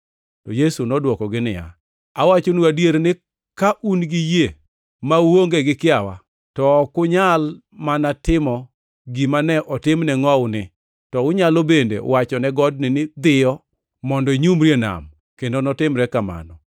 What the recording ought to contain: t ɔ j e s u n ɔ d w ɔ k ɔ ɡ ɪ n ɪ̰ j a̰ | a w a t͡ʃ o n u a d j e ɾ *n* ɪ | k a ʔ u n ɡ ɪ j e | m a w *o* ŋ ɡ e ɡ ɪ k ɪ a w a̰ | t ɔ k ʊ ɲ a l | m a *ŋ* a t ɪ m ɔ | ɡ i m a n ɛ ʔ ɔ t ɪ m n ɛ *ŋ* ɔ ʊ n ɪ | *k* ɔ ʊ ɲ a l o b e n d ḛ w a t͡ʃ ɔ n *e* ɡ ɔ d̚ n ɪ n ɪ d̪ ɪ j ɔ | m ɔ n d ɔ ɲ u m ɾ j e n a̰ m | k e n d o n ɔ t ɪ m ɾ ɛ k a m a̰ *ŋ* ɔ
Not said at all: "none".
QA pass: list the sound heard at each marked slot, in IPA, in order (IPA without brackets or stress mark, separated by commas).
n, o, n, ŋ, t, ɛ, n